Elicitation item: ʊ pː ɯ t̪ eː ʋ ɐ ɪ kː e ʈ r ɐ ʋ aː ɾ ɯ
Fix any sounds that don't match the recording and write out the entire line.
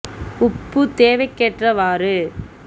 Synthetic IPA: ʊ pː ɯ t̪ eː ʋ ɐ ɪ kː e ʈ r ɐ ʋ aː ɾ ɯ